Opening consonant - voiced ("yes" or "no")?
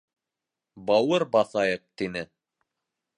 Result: yes